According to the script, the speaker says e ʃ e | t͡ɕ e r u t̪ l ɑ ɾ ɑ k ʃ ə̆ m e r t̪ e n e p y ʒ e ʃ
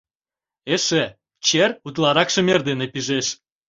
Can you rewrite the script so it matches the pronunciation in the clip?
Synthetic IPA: e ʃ e | t͡ɕ e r u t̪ l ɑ ɾ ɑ k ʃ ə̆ m e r d̪ e n e p i ʒ e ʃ